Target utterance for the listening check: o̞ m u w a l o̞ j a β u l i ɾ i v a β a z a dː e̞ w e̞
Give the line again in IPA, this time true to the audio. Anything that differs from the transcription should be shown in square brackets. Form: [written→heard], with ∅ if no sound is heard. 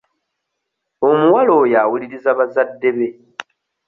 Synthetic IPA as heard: o̞ m u w a l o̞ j a [β→w] u l i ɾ i [v→z] a β a z a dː e̞ [w→β] e̞